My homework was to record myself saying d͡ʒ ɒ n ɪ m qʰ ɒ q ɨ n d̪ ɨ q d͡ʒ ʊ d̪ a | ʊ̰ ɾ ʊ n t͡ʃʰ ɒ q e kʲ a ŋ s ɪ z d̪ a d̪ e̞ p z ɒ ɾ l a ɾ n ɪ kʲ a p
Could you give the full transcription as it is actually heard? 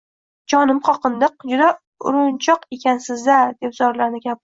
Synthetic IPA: d͡ʒ ɒ n ɪ m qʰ ɒ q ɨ n d̪ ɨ q d͡ʒ ʊ d̪ a | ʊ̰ ɾ ʊ n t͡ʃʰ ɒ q e kʲ a n s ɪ z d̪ a d̪ e̞ p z ɒ ɾ l a ɾ n ɪ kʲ a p